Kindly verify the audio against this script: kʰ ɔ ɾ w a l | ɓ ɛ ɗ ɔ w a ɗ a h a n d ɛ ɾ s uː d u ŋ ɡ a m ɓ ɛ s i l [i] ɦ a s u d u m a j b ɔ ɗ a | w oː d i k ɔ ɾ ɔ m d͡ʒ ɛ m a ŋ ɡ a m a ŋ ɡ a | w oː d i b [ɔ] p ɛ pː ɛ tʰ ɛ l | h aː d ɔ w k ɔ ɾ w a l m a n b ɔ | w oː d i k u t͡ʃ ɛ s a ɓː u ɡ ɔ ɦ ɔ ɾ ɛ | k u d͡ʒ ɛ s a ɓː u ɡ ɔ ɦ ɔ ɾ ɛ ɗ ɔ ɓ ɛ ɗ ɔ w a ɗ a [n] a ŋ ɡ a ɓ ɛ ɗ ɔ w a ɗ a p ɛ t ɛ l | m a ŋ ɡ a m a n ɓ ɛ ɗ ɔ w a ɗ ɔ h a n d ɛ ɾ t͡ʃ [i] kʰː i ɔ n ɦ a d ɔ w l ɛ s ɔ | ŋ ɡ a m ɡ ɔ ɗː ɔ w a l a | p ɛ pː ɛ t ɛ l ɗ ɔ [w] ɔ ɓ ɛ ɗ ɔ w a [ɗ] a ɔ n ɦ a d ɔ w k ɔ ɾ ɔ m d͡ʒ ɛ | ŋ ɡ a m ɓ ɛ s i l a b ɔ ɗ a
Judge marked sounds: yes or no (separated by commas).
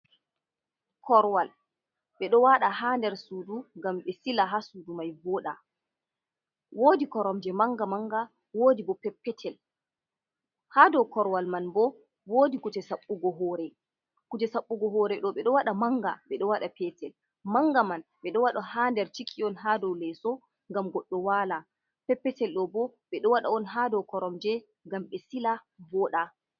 no, yes, no, yes, no, yes